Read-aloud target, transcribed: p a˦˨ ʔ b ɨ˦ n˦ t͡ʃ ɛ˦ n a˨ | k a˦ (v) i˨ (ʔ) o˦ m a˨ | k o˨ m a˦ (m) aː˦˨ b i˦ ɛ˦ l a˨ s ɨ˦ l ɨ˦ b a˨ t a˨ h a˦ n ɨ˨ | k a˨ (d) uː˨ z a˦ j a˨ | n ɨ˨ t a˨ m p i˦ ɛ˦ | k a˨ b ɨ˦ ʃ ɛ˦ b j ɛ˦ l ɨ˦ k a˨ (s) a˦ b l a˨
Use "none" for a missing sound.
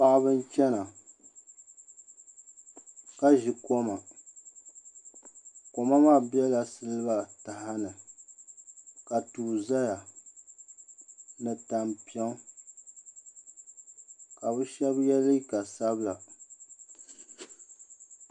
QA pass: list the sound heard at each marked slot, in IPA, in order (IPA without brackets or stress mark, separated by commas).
ʒ, k, m, t, s